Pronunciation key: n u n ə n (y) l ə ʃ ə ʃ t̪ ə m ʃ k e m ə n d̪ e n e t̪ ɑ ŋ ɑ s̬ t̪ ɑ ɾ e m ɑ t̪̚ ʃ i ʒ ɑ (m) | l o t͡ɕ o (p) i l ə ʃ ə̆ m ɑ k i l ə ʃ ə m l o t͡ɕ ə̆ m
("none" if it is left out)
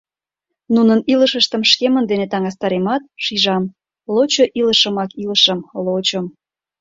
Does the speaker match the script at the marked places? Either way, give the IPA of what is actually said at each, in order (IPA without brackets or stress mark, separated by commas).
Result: i, m, ʔ